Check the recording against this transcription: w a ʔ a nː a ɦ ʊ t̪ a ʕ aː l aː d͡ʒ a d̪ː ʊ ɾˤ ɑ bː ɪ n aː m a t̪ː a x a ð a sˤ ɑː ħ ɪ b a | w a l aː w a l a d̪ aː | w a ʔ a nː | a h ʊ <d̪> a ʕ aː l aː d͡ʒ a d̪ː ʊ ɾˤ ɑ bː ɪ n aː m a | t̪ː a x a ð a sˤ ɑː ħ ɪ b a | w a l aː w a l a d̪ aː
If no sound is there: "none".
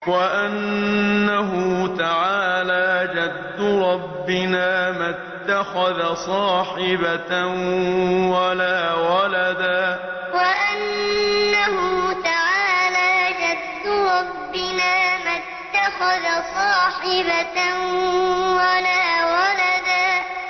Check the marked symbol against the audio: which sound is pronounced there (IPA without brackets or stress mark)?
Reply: t̪